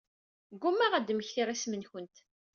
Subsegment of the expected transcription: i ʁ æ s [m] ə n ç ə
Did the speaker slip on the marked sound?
no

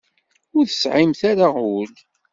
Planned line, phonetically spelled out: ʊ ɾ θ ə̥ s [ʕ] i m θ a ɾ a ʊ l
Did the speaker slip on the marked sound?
no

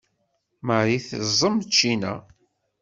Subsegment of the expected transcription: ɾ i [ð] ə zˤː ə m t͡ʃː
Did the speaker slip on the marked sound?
yes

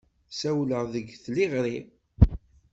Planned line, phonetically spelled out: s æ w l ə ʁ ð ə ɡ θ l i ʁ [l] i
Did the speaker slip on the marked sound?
yes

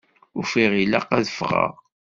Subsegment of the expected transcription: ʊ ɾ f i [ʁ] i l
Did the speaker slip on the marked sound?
no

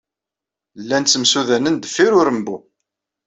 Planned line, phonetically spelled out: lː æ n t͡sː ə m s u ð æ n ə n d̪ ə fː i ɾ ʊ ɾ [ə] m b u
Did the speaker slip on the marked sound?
no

